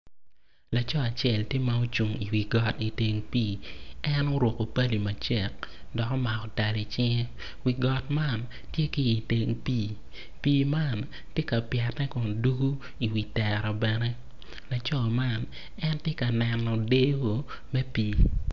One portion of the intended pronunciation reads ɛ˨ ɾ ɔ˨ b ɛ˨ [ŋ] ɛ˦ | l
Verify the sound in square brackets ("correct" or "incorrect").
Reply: incorrect